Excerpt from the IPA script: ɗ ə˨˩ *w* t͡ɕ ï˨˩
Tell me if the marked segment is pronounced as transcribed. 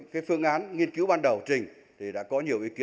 yes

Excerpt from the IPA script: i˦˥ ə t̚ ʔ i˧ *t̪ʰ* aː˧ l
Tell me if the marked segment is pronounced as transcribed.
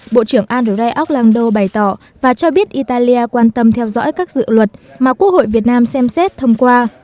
no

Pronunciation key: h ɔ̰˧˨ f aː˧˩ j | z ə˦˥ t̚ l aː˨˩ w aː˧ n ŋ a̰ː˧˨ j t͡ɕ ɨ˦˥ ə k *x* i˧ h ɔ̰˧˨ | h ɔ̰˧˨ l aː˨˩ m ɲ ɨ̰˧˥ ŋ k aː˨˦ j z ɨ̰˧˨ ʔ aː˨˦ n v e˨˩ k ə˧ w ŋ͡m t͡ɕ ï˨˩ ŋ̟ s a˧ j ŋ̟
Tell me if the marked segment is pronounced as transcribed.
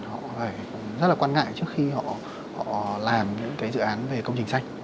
yes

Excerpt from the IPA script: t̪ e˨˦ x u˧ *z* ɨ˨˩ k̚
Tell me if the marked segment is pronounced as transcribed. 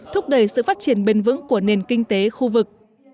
no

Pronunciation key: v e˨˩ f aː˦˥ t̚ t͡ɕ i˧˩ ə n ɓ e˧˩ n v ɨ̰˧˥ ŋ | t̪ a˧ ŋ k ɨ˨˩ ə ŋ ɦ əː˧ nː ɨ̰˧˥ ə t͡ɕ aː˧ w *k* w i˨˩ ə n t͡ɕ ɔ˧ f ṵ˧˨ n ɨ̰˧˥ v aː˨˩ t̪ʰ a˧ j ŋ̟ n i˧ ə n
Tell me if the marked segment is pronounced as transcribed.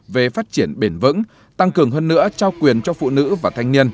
yes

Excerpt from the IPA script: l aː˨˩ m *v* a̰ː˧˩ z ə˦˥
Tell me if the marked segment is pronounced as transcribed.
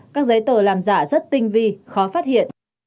no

